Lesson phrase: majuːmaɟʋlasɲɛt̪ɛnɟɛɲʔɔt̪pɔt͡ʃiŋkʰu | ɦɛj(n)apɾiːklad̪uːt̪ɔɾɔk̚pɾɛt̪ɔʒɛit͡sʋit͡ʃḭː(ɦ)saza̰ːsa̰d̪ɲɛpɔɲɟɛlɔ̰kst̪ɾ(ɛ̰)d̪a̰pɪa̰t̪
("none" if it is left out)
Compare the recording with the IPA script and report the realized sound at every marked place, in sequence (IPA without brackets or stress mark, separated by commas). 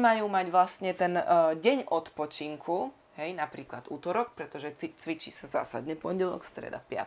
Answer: n, none, ɛ̰